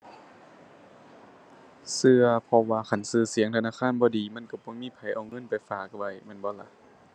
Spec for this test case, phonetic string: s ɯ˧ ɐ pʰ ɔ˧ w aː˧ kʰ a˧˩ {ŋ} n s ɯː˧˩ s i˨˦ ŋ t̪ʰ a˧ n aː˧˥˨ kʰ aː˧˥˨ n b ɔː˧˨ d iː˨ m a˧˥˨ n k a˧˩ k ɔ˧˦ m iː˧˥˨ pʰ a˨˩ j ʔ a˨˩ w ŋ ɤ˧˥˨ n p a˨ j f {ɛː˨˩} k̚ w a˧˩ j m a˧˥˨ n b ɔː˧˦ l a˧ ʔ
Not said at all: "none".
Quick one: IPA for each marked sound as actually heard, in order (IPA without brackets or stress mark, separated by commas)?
none, aː˨˩